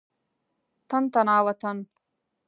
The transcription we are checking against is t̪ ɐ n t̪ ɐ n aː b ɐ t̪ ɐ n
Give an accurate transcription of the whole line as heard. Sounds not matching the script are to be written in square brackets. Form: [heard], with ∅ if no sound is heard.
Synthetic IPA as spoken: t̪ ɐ n t̪ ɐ n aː [w] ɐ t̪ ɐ n

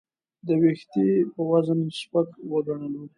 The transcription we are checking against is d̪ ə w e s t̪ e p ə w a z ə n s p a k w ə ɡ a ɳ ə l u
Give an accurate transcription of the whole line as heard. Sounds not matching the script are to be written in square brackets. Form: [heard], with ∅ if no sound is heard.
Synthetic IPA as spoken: d̪ ə w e [x] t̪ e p ə w a z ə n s p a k w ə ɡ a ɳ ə l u

